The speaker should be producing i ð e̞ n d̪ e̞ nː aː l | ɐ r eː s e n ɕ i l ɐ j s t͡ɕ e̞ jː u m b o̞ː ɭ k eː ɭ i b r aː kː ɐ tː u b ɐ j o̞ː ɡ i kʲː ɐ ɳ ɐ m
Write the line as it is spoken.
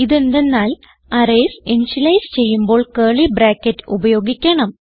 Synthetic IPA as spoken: i ð e̞ n d̪ e̞ nː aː l | ɐ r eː s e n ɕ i l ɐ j s t͡ɕ e̞ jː u m b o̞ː ɭ k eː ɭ i b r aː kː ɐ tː u b ɐ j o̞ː ɡ i kʲː ɐ ɳ ɐ m

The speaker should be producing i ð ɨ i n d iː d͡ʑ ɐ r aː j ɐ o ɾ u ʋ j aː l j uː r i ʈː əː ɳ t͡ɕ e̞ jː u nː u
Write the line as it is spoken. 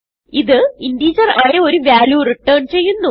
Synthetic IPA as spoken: i ð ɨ i n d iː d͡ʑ ɐ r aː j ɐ o ɾ u ʋ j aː l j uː r i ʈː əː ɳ t͡ɕ e̞ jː u nː u

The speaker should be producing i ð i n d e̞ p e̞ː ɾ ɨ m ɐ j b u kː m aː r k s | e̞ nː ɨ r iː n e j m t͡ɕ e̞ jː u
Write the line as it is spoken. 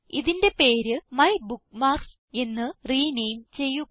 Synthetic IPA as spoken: i ð i n d e̞ p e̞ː ɾ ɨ m ɐ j b u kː m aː r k s | e̞ nː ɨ r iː n e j m t͡ɕ e̞ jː u

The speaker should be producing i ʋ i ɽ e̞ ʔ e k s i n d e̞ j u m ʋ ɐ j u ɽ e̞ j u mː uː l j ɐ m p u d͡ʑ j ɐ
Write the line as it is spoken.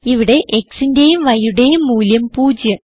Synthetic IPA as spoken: i ʋ i ɽ e̞ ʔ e k s i n d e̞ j u m ʋ ɐ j u ɽ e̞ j u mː uː l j ɐ m p uː d͡ʑ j ɐ

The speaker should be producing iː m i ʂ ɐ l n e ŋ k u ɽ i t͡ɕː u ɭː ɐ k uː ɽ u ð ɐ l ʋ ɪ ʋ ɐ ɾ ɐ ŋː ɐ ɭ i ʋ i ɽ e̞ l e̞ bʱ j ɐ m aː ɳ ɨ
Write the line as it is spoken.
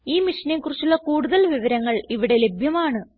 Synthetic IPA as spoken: iː m i ʂ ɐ n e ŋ k u r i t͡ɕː u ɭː ɐ k uː ɽ u ð ɐ l ʋ i ʋ ɐ ɾ ɐ ŋː ɐ ɭ i ʋ i ɽ e̞ l e̞ bʱ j ɐ m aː ɳ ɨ

